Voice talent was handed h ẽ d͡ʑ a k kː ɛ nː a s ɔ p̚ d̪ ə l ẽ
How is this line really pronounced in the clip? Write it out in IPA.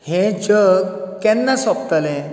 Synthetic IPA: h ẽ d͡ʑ ə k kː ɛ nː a s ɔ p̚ t̪ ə l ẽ